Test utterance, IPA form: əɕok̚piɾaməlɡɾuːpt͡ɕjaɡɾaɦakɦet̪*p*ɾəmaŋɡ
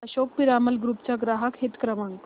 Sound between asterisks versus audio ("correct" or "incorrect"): incorrect